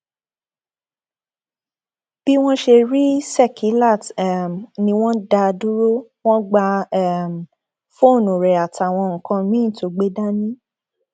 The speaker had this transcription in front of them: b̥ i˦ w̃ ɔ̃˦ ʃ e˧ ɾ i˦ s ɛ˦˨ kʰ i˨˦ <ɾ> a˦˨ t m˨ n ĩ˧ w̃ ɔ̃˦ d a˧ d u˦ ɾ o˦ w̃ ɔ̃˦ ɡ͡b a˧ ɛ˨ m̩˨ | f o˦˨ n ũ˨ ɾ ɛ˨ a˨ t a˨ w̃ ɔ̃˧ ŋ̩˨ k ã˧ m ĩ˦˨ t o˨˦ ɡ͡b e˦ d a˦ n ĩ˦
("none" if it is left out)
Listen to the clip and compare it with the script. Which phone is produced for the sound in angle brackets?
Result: l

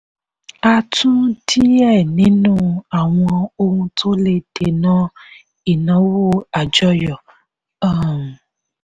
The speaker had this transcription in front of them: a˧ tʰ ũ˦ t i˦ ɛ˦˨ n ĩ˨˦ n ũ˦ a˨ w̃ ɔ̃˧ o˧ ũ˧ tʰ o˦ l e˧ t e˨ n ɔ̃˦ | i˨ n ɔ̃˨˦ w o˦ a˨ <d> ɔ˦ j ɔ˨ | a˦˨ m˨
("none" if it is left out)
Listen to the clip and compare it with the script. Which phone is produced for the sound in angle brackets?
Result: d͡ʒ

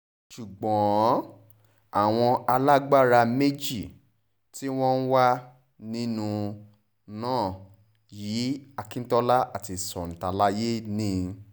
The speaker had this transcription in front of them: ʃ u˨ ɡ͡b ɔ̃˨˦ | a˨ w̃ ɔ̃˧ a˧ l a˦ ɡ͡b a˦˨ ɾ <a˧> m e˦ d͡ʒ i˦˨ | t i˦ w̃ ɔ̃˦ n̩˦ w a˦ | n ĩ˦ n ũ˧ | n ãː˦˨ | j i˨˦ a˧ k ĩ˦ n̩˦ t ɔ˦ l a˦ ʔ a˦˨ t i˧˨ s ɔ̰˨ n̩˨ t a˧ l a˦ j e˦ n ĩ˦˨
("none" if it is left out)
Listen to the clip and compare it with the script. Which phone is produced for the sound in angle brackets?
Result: a˧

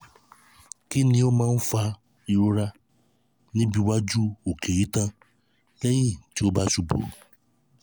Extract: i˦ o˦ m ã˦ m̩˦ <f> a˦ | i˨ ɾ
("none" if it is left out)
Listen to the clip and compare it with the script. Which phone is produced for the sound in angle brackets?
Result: f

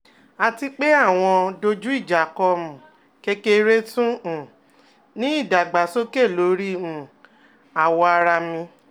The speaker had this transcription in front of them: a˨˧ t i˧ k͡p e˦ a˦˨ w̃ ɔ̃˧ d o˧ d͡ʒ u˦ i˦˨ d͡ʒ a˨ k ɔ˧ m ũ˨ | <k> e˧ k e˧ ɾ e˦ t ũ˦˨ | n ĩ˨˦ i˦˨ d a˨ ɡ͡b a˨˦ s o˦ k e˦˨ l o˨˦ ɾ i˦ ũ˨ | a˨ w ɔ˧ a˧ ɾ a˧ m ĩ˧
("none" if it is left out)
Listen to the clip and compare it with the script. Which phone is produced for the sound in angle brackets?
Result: k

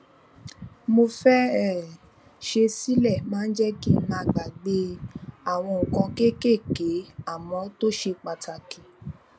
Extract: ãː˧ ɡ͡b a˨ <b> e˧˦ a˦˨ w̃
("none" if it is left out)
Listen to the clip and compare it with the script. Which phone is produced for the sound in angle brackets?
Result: ɡ͡b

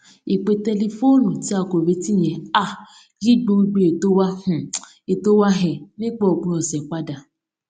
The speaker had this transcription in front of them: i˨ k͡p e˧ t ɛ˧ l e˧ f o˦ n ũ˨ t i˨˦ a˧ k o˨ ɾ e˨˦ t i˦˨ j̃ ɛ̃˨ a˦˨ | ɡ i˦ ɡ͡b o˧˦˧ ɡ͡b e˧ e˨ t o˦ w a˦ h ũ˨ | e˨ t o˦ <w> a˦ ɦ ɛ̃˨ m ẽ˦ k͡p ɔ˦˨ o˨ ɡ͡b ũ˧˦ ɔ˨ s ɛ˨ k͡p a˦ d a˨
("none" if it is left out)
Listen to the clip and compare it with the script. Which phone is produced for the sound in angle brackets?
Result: w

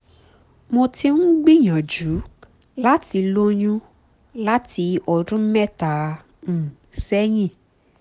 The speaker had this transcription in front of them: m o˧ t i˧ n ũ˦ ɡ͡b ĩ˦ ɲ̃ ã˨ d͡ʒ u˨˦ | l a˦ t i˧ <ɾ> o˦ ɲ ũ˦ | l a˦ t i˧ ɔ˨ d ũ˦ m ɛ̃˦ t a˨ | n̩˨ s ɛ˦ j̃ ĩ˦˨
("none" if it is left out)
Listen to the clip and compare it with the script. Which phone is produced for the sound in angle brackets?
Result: l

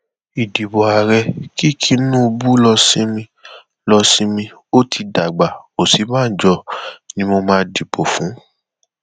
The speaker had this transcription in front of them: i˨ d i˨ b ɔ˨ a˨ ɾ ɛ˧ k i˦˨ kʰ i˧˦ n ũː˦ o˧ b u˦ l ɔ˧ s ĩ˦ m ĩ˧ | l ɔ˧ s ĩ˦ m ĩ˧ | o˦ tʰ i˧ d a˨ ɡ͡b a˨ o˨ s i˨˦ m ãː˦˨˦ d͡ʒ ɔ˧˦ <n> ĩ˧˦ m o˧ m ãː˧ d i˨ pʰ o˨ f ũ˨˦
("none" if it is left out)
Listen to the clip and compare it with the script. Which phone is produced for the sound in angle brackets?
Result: n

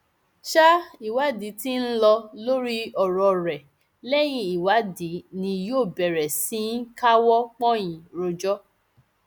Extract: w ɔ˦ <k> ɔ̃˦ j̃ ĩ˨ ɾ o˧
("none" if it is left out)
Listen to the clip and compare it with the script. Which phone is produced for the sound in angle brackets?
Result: k͡p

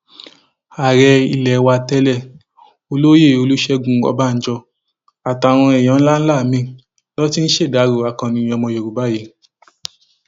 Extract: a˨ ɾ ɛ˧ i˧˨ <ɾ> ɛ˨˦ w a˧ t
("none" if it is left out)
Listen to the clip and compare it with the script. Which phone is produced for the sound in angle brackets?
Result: l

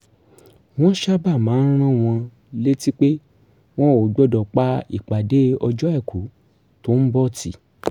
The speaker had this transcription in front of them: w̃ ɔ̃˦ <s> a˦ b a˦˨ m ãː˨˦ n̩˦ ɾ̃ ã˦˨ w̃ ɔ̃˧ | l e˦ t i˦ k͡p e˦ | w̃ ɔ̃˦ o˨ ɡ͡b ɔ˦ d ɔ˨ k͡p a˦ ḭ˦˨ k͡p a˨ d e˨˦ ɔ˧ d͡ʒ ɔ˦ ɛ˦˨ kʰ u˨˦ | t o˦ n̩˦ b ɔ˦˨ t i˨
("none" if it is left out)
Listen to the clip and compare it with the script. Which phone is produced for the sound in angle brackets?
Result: ʃ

